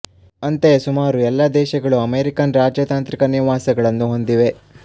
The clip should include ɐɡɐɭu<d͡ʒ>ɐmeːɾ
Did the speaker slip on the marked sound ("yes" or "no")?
yes